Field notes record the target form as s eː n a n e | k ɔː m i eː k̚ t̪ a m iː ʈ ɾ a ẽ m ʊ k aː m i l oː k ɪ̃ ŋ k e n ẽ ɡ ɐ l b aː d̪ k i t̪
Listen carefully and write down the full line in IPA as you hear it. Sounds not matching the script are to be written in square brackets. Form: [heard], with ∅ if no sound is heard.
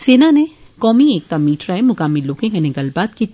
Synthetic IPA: s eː n a n e | k ɔː m i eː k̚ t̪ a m iː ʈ ɾ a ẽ m ʊ k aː m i l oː k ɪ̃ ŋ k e n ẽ ɡ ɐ l b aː [t̪] k i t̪

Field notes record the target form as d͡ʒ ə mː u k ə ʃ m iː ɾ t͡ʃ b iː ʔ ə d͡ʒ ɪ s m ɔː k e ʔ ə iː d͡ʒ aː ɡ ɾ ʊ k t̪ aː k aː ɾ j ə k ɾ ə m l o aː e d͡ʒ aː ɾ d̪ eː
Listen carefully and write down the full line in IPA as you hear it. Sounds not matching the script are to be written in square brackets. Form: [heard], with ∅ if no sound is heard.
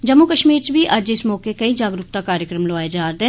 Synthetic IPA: d͡ʒ ə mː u k ə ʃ m iː ɾ t͡ʃ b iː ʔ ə d͡ʒ ɪ s m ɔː k e [k] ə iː d͡ʒ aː ɡ ɾ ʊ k t̪ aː k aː ɾ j ə k ɾ ə m l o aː e d͡ʒ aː ɾ d̪ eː

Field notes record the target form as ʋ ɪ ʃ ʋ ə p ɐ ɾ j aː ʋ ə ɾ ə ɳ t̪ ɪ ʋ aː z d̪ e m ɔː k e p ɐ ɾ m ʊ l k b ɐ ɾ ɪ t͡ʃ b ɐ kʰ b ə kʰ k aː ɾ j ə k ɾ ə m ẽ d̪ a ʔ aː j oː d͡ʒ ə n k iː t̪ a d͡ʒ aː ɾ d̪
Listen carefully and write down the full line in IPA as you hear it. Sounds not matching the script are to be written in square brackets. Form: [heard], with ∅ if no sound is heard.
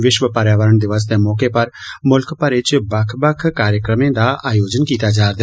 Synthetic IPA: ʋ ɪ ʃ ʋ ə p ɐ ɾ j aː ʋ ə ɾ ə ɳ [d̪] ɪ ʋ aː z [t̪] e m ɔː k e p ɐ ɾ m ʊ l k [p] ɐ ɾ ɪ t͡ʃ b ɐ kʰ b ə kʰ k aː ɾ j ə k ɾ ə m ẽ d̪ a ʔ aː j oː d͡ʒ ə n k iː t̪ a d͡ʒ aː ɾ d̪

